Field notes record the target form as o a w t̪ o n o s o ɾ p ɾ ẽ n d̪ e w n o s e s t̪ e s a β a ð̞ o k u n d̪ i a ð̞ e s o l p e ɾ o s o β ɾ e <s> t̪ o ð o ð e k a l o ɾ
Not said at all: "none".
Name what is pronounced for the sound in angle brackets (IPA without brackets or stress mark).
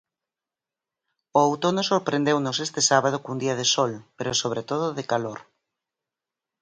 none